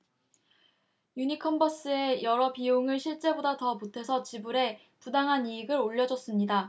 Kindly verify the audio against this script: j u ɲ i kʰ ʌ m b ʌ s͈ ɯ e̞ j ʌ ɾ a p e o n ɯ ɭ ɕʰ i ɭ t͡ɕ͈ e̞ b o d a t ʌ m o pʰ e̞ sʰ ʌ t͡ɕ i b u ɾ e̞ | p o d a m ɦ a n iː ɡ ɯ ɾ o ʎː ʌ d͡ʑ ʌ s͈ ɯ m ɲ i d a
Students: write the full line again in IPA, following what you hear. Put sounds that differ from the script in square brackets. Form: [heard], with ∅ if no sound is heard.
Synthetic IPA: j u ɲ i kʰ ʌ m b ʌ s͈ ɯ e̞ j ʌ ɾ [ʌ] p [i] o [ŋ] ɯ ɭ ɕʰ i ɭ t͡ɕ͈ e̞ b o d a t ʌ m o [tʰ] e̞ sʰ ʌ t͡ɕ i b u ɾ e̞ | p [u] d a [ŋ] ɦ a n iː ɡ ɯ ɾ o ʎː ʌ d͡ʑ ʌ s͈ ɯ m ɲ i d a